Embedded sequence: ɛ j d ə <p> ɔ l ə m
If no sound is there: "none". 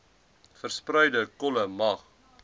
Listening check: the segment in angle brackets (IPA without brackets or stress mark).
k